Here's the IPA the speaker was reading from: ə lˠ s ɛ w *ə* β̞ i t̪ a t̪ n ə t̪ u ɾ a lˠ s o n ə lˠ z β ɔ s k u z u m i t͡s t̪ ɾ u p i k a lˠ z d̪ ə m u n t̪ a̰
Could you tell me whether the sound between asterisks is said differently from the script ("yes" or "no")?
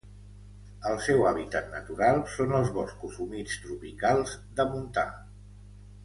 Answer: yes